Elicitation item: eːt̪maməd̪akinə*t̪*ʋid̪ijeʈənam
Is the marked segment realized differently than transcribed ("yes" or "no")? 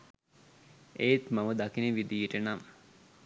yes